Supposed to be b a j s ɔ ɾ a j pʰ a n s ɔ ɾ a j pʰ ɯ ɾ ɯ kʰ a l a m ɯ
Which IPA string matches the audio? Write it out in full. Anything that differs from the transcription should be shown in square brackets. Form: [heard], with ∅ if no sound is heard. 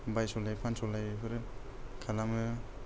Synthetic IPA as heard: b a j s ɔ [l] a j pʰ a n s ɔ [l] a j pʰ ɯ ɾ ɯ kʰ a l a m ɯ